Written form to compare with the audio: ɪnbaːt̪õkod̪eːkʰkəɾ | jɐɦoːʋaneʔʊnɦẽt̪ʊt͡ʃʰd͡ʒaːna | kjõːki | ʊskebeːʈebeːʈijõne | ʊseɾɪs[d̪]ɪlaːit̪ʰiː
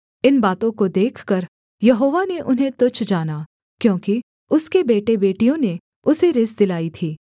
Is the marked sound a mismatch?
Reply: no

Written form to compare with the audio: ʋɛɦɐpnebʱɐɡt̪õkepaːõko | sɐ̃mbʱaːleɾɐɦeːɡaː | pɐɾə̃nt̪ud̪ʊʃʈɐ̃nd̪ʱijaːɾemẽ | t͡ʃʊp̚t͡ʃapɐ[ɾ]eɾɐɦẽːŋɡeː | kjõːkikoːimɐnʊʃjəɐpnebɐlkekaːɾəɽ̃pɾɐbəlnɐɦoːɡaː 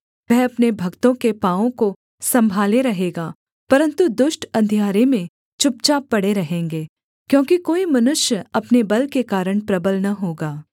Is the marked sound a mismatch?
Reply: yes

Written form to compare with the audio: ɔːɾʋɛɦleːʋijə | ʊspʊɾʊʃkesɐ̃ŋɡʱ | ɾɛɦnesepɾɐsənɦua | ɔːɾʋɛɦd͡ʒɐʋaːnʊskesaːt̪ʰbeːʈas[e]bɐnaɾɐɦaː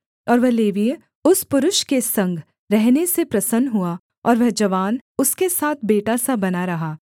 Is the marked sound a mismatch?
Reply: yes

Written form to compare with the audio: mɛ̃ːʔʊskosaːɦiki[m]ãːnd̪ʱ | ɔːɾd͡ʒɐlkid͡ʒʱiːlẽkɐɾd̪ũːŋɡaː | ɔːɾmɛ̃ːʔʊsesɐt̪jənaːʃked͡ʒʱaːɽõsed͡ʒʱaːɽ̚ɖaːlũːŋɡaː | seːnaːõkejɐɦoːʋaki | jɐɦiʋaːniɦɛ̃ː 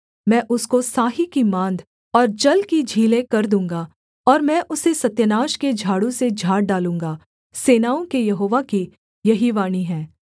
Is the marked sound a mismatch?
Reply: no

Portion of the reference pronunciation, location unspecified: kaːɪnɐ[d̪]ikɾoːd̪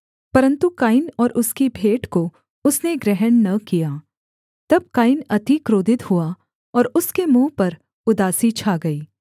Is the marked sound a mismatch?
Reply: yes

